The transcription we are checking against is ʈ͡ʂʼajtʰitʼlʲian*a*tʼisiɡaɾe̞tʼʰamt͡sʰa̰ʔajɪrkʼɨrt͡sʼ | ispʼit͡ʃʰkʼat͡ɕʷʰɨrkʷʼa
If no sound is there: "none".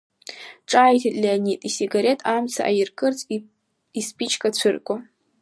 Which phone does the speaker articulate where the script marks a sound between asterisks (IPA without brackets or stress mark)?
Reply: i